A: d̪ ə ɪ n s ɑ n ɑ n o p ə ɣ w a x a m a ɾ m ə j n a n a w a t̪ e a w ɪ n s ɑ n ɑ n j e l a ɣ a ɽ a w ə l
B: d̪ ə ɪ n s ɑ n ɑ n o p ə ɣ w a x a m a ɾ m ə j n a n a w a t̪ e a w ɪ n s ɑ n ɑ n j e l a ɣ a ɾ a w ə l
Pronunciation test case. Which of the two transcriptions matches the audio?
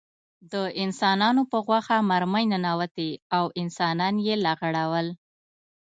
A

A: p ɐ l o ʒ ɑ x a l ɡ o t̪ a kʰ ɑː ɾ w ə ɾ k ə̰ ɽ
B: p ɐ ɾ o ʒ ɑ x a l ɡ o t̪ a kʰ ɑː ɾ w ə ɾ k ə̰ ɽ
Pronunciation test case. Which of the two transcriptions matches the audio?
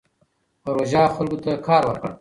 B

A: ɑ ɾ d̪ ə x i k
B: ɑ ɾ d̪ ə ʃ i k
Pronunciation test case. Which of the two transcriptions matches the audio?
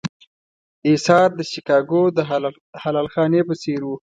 B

